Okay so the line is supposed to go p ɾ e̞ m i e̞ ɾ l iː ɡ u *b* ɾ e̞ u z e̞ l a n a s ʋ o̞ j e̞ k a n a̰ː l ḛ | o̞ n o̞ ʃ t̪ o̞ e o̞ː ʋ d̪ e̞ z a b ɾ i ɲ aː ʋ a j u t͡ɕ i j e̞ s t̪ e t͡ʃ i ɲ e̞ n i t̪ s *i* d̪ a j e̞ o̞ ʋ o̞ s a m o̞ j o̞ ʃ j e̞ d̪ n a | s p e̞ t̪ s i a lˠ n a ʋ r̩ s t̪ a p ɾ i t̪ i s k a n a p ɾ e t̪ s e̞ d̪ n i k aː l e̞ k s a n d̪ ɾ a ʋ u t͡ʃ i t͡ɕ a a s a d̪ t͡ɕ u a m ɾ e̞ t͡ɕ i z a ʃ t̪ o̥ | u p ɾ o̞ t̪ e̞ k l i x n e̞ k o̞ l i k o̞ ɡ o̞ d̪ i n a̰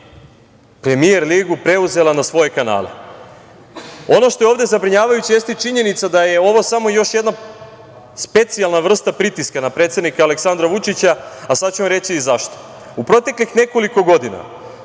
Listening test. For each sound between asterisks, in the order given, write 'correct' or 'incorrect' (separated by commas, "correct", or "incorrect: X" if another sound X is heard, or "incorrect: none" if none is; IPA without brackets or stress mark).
incorrect: p, incorrect: a